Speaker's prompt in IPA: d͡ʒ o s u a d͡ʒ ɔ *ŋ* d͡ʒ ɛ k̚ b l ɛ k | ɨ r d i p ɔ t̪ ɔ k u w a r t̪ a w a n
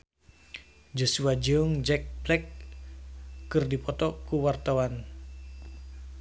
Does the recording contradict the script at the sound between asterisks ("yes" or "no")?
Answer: no